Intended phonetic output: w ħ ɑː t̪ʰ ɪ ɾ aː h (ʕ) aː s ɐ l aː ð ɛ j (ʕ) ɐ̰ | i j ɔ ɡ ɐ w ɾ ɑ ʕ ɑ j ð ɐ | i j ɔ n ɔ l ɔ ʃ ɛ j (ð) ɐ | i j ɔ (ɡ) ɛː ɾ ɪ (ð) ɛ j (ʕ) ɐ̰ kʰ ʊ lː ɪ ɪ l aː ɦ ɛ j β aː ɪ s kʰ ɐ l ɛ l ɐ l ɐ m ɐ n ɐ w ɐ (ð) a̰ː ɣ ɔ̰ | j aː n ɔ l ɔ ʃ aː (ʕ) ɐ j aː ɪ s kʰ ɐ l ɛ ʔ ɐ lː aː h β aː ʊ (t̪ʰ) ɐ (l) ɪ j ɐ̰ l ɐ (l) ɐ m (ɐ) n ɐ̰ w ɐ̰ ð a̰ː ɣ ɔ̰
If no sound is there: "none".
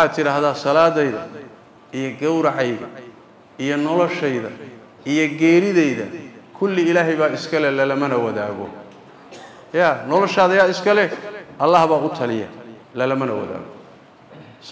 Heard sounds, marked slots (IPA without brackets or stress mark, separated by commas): ð, ð, ð, ɡ, ð, ð, ð, ð, t̪ʰ, l, l, ɐ